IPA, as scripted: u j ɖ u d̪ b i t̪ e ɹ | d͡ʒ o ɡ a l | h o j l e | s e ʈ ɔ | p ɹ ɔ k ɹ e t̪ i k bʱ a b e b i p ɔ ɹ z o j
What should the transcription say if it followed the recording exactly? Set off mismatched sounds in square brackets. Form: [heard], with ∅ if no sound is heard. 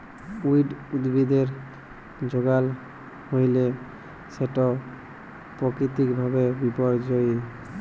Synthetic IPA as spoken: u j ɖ u d̪ b i [d̪] e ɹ | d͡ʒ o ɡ a l | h o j l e | s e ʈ ɔ | p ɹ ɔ k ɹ [i] t̪ i k bʱ a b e b i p ɔ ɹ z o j